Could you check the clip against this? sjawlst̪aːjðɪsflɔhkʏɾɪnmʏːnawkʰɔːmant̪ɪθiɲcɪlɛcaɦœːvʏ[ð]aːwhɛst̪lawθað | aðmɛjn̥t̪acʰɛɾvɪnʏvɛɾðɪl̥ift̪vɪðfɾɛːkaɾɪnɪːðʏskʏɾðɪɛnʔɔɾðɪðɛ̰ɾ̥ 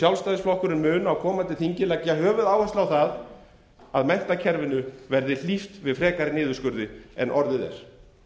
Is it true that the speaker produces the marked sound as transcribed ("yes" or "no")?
yes